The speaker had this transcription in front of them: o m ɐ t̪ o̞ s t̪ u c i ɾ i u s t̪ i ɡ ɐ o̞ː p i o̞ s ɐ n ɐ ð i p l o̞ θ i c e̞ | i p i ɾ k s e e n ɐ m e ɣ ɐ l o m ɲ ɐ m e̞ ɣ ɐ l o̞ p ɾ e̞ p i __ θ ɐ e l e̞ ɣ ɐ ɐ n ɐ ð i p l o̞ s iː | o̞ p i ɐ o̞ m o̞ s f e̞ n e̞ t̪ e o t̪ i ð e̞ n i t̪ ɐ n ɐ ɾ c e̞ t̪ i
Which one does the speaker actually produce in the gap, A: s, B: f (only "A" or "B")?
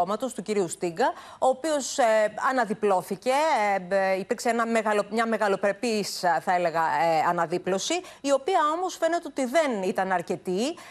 A